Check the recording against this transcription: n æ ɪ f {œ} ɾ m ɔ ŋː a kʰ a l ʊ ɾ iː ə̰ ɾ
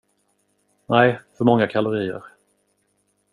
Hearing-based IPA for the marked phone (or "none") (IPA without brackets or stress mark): œ